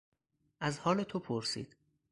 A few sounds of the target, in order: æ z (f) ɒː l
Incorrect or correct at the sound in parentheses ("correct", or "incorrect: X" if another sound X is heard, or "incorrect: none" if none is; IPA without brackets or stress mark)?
incorrect: h